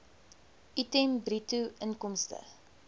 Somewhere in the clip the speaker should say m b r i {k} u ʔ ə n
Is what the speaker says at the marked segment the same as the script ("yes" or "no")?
no